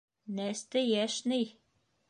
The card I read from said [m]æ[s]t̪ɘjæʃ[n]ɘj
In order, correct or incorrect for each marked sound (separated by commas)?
incorrect, correct, correct